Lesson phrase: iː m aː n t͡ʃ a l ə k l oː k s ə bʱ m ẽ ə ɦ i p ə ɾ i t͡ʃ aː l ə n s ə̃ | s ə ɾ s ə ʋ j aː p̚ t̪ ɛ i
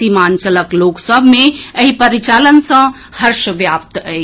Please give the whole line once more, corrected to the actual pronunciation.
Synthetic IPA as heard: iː m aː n t͡ʃ ə l ə k l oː k s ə bʱ m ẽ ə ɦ i p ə ɾ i t͡ʃ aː l ə n s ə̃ | h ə ɾ ʃ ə ʋ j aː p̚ t̪ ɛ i

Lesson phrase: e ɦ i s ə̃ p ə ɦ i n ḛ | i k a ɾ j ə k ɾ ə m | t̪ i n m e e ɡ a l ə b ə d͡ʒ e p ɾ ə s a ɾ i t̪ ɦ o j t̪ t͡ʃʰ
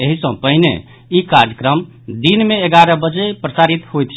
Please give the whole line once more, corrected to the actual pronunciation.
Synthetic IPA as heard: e ɦ i s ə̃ p ə ɦ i n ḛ | i k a ɾ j ə k ɾ ə m | d̪ i n m e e ɡ a ɾ ə b ə d͡ʒ e p ɾ ə s a ɾ i t̪ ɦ o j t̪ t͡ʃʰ

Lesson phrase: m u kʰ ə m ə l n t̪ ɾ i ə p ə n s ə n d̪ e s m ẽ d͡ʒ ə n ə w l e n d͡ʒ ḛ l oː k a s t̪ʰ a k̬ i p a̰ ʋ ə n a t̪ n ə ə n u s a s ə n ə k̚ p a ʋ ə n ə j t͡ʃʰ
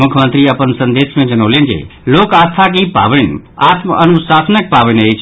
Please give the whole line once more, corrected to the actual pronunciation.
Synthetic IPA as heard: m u kʰ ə m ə n t̪ ɾ i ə p ə n s ə n d̪ e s m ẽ d͡ʒ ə n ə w l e n d͡ʒ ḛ l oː k a s t̪ʰ a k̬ i p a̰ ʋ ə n a t̪ m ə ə n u s a s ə n ə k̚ p a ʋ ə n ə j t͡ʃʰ

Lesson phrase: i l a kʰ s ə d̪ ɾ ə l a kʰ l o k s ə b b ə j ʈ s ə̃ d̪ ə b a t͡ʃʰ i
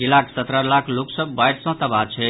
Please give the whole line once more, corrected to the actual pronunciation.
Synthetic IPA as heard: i l a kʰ s ə t̪ ɾ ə l a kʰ l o k s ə b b a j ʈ s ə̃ t̪ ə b a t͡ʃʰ ɛ

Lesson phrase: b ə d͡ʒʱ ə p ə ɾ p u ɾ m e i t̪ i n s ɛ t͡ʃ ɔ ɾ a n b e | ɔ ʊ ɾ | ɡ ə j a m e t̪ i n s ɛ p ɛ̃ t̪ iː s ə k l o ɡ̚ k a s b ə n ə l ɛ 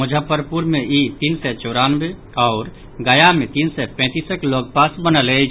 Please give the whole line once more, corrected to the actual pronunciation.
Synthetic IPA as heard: m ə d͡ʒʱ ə p ə ɾ p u ɾ m e i t̪ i n s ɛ t͡ʃ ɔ ɾ a n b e | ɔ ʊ ɾ | ɡ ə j a m e t̪ i n s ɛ p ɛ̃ t̪ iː s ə k l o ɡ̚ p a s b ə n ə l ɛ

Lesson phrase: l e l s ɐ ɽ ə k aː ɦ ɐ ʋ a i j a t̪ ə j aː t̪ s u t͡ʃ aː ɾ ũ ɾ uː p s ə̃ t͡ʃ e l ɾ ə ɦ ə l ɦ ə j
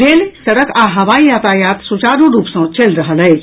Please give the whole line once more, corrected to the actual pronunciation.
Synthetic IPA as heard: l e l s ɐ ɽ ə k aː ɦ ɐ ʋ a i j a t̪ a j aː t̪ s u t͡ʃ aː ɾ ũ ɾ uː p s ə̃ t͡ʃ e l ɾ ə ɦ ə l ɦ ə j

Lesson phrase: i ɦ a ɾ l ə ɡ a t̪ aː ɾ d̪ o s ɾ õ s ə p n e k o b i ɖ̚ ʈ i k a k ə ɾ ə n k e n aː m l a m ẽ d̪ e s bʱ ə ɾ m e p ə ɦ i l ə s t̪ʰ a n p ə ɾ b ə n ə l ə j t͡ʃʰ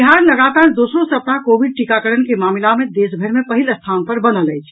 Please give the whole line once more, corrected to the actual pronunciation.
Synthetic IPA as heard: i ɦ a ɾ l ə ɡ a t̪ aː ɾ d̪ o s ɾ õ s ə p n a k o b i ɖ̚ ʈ i k a k ə ɾ ə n k e m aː m l a m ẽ d̪ e s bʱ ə ɾ m e p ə ɦ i l ə s t̪ʰ a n p ə ɾ b ə n ə l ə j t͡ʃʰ

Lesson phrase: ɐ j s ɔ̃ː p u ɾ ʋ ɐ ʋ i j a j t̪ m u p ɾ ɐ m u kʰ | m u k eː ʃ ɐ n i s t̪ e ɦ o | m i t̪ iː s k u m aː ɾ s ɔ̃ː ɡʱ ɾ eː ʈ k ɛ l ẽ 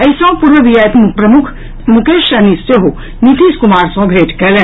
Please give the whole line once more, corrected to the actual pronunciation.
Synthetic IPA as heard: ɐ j s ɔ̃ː p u ɾ ʋ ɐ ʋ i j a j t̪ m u p ɾ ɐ m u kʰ | m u k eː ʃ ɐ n i s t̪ e ɦ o | n i t̪ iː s k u m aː ɾ s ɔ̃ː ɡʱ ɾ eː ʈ k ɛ l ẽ

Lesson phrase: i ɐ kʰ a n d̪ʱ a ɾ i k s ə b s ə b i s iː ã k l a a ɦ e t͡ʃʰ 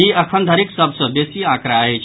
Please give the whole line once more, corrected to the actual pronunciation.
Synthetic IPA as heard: i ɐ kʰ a n d̪ʱ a ɾ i k s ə b s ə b e s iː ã k ɾ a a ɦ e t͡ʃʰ

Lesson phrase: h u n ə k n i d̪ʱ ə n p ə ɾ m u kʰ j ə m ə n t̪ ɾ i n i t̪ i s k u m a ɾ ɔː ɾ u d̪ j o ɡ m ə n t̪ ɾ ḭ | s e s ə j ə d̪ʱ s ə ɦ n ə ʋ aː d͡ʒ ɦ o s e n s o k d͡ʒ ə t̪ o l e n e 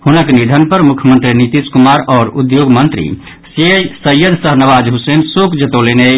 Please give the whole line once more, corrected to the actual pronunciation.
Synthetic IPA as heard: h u n ə k n i d̪ʱ ə n p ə ɾ m u kʰ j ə m ə n t̪ ɾ i n i t̪ i s k u m a ɾ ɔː ɾ u d̪ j o ɡ m ə n t̪ ɾ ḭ | s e s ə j ə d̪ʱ s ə ɦ n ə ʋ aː d͡ʒ ɦ u s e n s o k d͡ʒ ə t̪ o l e n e

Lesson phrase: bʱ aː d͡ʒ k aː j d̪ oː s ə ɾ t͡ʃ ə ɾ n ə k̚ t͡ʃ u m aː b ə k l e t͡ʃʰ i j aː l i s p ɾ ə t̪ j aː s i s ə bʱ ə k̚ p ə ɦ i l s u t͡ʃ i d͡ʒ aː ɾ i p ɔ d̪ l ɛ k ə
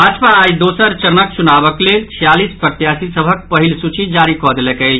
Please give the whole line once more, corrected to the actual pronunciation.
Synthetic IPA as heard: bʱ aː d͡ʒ p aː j d̪ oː s ə ɾ t͡ʃ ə ɾ n ə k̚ t͡ʃ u n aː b ə k l e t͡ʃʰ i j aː l i s p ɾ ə t̪ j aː s i s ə bʱ ə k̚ p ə ɦ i l s u t͡ʃ i d͡ʒ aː ɾ i k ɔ d̪ l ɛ k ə

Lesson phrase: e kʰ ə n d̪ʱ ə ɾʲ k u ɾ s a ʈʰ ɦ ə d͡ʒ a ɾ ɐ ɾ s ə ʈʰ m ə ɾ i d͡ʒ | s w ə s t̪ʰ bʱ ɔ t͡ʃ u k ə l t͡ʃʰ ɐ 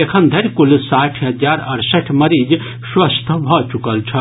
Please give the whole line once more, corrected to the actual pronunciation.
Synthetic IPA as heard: e kʰ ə n d̪ʱ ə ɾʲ k u l s a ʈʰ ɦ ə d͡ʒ a ɾ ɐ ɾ s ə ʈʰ m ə ɾ i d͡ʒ | s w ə s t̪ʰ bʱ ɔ t͡ʃ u k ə l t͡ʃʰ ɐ

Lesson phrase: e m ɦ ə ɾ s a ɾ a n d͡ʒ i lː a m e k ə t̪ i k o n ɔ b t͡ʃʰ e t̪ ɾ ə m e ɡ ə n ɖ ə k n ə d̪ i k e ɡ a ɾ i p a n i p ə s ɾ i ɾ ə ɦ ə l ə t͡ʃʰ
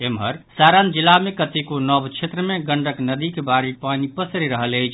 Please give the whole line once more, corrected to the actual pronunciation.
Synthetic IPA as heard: e m ɦ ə ɾ s a ɾ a n d͡ʒ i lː a m e k ə t̪ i k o n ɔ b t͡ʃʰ e t̪ ɾ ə m e ɡ ə ɳ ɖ ə k n ə d̪ i k e b a ɾ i p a n i p ə s ɾ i ɾ ə ɦ ə l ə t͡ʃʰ

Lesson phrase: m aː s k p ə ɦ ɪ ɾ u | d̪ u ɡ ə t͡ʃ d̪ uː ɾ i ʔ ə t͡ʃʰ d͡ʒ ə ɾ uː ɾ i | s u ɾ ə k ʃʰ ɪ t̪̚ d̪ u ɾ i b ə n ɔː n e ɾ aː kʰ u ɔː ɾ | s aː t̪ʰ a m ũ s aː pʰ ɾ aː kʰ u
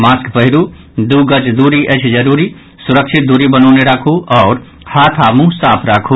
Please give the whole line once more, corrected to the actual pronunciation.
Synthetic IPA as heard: m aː s k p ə ɦ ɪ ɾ u | d̪ u ɡ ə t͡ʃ d̪ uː ɾ i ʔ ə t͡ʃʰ d͡ʒ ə ɾ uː ɾ i | s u ɾ ə k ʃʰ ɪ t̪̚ d̪ u ɾ i b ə n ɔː n e ɾ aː kʰ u ɔː ɾ | h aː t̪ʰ a m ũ s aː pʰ ɾ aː kʰ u

